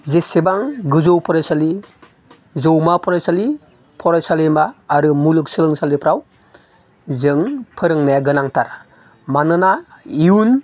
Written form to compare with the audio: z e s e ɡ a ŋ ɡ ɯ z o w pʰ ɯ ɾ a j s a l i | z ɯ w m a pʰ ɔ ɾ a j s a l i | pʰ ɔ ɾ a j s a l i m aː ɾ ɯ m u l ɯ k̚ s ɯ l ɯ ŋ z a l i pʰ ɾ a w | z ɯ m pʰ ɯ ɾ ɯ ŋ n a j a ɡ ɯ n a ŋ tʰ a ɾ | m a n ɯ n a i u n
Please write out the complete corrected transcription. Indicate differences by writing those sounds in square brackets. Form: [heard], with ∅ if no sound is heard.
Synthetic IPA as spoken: z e s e [b] a ŋ ɡ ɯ z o w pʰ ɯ ɾ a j s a l i | z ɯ w m a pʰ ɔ ɾ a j s a l i | pʰ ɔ ɾ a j s a l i m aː ɾ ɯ m u l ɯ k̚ s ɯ l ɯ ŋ [s] a l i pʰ ɾ a w | z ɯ [ŋ] pʰ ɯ ɾ ɯ ŋ n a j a ɡ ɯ n a ŋ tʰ a ɾ | m a n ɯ n a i u n